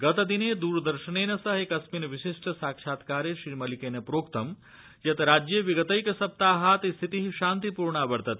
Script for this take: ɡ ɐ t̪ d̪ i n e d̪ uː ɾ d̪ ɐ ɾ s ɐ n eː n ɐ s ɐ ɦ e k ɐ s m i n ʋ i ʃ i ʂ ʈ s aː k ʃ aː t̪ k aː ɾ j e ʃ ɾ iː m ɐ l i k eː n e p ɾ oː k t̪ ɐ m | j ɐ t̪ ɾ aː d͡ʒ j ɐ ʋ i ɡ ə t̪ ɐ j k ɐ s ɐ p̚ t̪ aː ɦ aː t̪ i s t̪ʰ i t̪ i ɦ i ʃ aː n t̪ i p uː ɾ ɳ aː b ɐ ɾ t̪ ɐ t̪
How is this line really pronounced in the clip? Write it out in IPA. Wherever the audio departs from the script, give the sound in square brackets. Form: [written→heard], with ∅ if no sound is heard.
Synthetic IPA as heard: ɡ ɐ t̪ d̪ i n e d̪ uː ɾ d̪ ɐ ɾ [s→ʃ] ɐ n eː n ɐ s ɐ ɦ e k ɐ s m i n ʋ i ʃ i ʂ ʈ s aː k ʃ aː t̪ k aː ɾ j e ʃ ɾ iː m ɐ l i k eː n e p ɾ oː k t̪ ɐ m | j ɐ t̪ ɾ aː d͡ʒ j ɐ ʋ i ɡ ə t̪ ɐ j k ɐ s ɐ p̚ t̪ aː ɦ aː t̪ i s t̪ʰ i t̪ i ɦ i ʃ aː n t̪ i p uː ɾ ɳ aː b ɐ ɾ t̪ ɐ t̪